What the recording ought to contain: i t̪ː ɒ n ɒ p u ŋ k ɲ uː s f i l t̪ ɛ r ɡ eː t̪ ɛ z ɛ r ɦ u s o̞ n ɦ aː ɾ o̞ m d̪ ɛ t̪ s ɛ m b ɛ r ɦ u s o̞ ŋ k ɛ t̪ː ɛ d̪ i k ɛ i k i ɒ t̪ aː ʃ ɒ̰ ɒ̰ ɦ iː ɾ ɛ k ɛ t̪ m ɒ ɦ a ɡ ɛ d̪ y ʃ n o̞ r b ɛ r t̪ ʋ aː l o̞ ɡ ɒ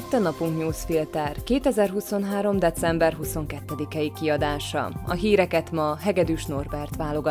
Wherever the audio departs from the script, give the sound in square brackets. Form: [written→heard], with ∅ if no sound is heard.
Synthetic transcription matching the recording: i t̪ː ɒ n ɒ p u ŋ k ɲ uː s f i l t̪ ɛ r [ɡ→k] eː t̪ ɛ z ɛ r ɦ u s o̞ n ɦ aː ɾ o̞ m d̪ ɛ t̪ s ɛ m b ɛ r ɦ u s o̞ ŋ k ɛ t̪ː ɛ d̪ i k ɛ i k i ɒ [t̪→d̪] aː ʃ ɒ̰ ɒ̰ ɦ iː ɾ ɛ k ɛ t̪ m ɒ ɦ [a→ɛ] ɡ ɛ d̪ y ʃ n o̞ r b ɛ r t̪ ʋ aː l o̞ ɡ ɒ